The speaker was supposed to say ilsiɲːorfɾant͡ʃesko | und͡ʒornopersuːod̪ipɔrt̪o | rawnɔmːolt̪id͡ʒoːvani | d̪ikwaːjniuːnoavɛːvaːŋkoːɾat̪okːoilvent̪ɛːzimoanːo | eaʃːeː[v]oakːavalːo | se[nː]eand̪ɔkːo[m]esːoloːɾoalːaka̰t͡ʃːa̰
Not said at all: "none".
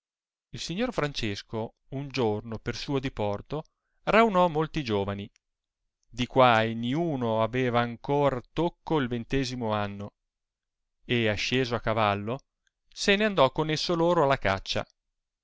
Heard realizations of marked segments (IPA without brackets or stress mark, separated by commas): z, n, n